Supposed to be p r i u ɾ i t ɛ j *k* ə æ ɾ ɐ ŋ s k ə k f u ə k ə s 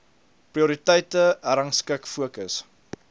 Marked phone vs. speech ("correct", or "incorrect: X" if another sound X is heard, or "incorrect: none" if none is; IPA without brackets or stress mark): incorrect: t